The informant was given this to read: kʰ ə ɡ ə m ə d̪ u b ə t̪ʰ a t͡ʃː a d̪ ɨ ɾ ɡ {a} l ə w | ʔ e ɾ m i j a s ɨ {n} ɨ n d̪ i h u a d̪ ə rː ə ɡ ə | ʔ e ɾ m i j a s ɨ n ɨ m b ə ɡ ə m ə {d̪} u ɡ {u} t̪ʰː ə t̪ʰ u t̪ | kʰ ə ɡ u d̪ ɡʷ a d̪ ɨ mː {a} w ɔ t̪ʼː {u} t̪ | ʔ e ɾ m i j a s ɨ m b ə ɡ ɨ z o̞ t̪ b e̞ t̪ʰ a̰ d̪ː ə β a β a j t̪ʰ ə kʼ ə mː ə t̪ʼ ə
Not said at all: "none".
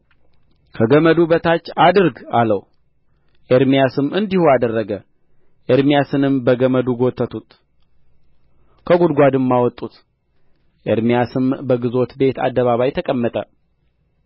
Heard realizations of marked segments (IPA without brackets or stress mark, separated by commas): a, m, d̪, o, a, u